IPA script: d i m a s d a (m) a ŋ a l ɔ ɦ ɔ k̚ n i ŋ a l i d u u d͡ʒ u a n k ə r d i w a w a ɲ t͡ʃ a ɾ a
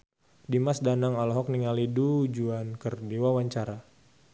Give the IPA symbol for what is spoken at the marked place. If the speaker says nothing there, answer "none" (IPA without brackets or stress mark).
n